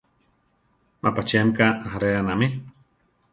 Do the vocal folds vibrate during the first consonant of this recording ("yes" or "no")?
yes